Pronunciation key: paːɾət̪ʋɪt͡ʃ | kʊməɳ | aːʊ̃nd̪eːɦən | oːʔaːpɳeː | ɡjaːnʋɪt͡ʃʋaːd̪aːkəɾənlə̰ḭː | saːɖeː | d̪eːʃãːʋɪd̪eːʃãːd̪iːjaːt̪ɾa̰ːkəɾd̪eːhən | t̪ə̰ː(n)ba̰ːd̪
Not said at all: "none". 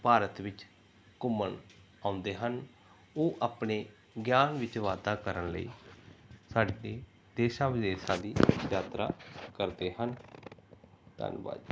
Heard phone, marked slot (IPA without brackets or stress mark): n